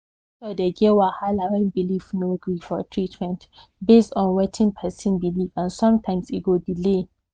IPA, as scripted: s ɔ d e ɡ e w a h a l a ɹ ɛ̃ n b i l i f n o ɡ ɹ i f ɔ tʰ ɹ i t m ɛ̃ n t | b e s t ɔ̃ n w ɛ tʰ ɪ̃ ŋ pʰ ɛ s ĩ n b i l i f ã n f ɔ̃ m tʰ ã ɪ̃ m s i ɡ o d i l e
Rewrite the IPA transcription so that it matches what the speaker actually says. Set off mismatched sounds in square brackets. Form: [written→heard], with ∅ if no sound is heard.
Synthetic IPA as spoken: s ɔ d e ɡ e w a h a l a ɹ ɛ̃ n b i l i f n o ɡ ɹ i f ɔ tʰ ɹ i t m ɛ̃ n t | b e s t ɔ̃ n w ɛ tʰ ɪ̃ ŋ pʰ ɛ s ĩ n b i l i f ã n [f→s] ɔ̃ m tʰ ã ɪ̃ m s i ɡ o d i l e